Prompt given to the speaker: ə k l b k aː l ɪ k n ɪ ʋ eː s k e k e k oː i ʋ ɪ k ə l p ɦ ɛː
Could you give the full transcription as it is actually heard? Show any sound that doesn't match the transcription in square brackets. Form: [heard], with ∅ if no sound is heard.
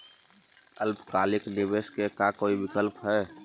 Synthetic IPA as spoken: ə [∅] l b k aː l ɪ k n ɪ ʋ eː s k e k [a] k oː i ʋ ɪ k ə l p ɦ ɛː

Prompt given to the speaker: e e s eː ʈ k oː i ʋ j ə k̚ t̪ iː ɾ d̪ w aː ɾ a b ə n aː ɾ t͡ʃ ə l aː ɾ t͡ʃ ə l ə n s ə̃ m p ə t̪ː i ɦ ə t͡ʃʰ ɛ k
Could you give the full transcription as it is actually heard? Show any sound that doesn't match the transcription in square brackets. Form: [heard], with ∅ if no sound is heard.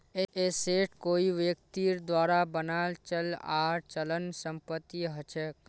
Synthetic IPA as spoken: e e s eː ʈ k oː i ʋ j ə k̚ t̪ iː ɾ d̪ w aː ɾ a b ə n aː [l] t͡ʃ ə l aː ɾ t͡ʃ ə l ə n s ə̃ m p ə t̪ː i ɦ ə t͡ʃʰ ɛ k

